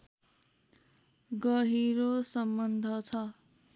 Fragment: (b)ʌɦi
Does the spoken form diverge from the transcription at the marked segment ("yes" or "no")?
yes